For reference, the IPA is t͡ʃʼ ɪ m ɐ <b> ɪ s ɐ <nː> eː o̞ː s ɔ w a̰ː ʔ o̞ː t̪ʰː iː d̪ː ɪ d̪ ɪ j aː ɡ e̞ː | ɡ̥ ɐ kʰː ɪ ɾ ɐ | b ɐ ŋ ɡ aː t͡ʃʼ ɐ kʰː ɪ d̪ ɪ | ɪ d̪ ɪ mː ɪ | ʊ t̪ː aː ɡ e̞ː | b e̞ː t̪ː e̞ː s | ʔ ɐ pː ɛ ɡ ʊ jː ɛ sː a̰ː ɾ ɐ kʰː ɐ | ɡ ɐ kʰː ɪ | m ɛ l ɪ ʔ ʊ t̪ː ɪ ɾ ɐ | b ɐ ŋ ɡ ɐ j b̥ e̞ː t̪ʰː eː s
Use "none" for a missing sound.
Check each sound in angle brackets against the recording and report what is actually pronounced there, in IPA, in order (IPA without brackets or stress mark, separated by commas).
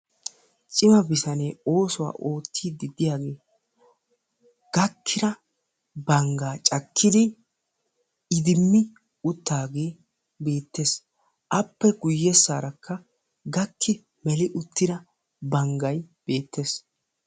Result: b, n